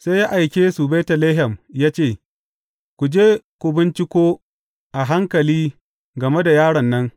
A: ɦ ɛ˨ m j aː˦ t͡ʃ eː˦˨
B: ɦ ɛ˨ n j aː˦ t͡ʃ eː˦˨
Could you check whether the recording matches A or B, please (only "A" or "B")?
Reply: A